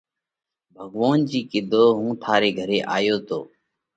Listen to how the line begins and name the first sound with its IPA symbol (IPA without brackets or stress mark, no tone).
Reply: bʱ